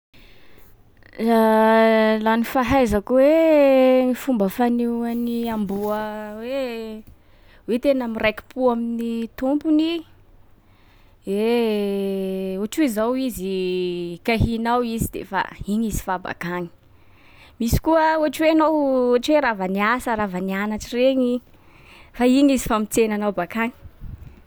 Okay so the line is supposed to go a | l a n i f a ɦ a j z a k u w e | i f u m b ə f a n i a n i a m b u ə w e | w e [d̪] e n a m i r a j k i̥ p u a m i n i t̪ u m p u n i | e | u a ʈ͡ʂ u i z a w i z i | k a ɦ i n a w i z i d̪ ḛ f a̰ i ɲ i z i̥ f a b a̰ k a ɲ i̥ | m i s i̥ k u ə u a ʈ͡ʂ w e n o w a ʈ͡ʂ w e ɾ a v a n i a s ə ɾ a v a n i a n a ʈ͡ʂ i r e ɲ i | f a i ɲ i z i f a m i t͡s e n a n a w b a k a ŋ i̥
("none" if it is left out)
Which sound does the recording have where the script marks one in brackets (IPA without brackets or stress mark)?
t̪